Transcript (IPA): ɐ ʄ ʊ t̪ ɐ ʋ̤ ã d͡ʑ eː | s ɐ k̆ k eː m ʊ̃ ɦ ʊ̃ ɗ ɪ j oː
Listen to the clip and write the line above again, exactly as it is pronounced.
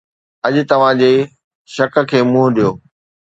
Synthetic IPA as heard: ɐ ʄ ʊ t̪ ɐ ʋ̤ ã d͡ʑ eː | ʃ ɐ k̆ kʰ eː m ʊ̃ ɦ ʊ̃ ɗ i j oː